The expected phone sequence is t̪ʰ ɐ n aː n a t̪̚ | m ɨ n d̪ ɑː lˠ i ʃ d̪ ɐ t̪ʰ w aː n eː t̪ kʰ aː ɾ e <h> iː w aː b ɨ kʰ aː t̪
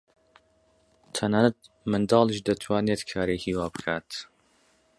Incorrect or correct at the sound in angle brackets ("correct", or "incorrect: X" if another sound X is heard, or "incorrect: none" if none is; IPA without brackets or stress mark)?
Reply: correct